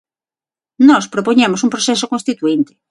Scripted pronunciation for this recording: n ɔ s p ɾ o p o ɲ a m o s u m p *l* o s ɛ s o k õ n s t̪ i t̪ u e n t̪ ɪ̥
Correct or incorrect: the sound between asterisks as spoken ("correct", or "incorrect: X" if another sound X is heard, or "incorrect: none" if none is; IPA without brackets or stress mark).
incorrect: ɾ